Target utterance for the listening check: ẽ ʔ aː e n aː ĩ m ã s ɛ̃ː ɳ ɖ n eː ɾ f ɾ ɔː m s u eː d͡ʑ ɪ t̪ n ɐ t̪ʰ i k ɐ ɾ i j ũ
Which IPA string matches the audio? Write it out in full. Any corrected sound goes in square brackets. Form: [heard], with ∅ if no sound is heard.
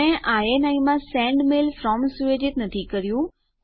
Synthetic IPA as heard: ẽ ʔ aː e n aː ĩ m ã s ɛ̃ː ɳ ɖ [m] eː [l] f ɾ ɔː m s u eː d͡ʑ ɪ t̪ n ɐ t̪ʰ i k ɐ ɾ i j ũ